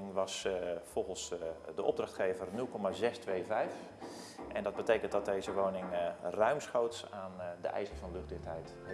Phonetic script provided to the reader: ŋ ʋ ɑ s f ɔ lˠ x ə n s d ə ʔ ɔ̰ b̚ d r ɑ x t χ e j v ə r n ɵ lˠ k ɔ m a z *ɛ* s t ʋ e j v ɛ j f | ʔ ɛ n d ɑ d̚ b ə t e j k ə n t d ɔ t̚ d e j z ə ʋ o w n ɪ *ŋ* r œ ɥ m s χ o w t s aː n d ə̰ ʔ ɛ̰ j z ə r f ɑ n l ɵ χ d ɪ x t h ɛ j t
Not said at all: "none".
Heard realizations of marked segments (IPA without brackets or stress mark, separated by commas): ɛ, ŋ